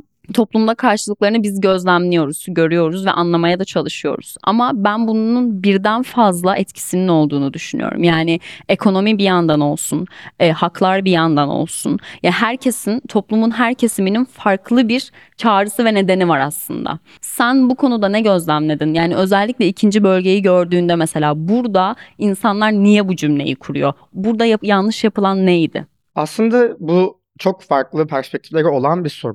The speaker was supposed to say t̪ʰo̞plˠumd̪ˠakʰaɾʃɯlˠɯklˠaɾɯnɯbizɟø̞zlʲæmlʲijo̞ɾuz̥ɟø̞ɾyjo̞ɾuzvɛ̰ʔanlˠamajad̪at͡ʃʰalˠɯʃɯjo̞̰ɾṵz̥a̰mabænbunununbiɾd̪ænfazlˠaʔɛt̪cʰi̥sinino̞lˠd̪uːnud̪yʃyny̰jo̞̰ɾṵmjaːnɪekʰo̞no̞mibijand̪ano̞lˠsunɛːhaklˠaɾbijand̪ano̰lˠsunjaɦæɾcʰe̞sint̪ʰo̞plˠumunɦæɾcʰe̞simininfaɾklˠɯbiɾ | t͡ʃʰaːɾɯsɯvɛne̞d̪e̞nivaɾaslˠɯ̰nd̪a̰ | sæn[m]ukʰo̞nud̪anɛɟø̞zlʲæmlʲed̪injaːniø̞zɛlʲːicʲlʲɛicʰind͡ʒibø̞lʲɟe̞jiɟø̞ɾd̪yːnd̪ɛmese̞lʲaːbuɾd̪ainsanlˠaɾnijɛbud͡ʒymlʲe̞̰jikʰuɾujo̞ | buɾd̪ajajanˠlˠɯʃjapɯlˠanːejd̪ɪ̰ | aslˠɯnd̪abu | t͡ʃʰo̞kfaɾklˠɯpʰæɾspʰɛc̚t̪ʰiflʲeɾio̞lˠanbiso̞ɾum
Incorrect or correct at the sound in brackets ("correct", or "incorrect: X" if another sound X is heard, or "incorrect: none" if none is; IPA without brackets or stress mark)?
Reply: incorrect: b